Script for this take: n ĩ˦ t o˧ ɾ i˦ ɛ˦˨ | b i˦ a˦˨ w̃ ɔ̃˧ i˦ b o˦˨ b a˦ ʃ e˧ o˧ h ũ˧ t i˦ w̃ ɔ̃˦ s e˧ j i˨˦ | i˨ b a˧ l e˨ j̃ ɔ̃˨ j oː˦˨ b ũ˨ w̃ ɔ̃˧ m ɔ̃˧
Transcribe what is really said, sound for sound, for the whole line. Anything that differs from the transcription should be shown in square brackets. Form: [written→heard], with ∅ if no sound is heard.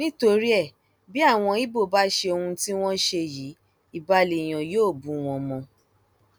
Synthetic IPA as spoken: n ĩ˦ t o˧ ɾ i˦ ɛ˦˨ | b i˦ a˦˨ w̃ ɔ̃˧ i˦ b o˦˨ b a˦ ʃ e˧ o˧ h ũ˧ t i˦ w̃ ɔ̃˦ [s→ʃ] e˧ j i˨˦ | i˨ b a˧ l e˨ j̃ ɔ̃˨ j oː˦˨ b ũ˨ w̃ ɔ̃˧ m ɔ̃˧